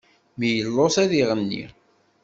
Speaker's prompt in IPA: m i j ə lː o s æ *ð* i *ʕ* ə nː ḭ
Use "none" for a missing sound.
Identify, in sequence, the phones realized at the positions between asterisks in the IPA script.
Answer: ð, ʁ

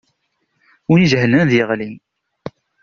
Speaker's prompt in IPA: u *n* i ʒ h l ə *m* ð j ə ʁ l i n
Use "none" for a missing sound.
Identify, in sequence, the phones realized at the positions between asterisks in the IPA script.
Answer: n, n

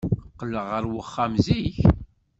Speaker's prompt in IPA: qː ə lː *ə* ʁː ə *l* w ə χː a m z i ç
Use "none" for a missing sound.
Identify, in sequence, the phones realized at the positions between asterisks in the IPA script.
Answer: ə, ɾ

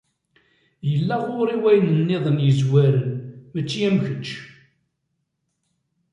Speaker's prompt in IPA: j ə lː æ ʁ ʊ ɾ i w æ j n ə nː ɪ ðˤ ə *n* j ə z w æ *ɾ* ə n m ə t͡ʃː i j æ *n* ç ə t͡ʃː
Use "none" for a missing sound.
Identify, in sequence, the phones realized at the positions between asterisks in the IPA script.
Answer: n, ɾ, m

